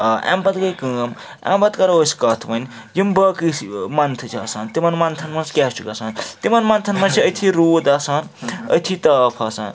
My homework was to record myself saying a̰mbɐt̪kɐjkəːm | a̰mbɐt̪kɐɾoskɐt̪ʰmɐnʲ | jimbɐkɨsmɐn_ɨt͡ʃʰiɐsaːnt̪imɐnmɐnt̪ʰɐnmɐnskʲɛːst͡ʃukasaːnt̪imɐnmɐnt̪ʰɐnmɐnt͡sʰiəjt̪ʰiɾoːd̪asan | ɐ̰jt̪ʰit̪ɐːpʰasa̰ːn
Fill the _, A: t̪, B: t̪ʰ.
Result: B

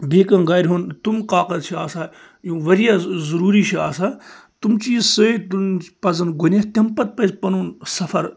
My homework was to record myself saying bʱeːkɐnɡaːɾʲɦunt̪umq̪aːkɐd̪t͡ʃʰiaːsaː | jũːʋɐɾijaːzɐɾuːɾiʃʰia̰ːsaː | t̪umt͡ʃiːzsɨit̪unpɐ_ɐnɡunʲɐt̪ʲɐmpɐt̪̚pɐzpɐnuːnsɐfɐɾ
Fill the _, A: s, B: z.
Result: B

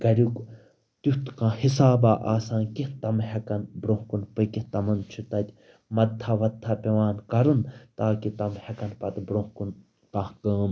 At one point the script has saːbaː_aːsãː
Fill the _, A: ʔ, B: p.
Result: A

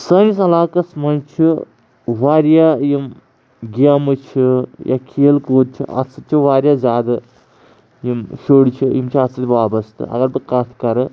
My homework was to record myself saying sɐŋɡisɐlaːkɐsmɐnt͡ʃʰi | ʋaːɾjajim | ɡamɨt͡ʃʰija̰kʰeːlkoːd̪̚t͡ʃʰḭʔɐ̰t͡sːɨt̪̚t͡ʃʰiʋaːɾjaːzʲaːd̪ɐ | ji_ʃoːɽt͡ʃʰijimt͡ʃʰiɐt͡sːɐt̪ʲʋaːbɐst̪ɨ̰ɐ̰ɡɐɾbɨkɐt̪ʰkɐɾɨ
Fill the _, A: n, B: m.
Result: B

